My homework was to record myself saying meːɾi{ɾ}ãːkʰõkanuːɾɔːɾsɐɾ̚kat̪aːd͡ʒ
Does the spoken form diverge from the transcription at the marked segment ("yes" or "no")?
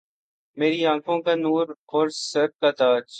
yes